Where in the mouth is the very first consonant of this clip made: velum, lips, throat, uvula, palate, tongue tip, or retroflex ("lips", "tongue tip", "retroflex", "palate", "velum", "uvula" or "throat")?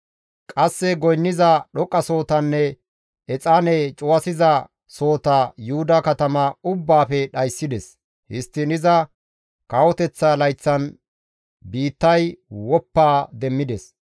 velum